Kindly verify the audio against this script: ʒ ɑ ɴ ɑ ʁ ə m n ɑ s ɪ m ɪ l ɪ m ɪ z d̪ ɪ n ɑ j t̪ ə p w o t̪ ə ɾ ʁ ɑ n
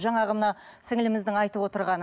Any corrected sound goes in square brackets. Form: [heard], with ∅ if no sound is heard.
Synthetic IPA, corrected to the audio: ʒ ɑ ɴ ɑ ʁ ə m n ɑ s ɪ [ŋ] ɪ l ɪ m ɪ z d̪ ɪ [ŋ] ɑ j t̪ ə p w o t̪ ə ɾ ʁ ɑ n